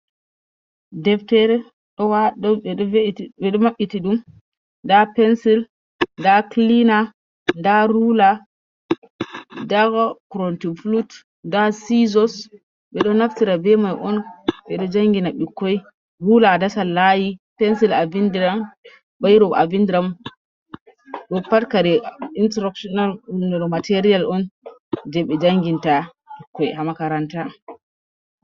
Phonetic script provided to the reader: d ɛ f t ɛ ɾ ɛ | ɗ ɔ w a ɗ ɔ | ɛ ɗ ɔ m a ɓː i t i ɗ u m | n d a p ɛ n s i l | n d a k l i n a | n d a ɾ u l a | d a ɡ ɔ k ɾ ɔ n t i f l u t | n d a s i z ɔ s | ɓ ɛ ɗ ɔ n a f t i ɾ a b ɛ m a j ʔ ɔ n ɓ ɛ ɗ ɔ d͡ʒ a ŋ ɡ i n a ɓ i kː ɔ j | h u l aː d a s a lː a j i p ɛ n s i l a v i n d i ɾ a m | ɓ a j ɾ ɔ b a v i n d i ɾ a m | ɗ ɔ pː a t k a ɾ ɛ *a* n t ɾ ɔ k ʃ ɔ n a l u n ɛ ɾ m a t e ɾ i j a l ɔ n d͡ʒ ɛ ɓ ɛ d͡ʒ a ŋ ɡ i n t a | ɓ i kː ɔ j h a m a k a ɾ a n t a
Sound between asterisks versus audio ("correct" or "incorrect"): incorrect